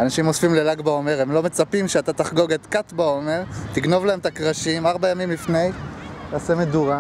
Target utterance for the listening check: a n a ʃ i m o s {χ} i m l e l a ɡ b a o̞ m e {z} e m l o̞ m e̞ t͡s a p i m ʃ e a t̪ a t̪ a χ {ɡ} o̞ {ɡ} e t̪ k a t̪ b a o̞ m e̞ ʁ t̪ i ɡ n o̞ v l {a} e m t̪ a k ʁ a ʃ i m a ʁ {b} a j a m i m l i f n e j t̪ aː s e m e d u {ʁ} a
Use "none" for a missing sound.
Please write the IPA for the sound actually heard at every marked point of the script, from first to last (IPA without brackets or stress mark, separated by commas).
f, ʁ, ɡ, ɡ, a, b, ʁ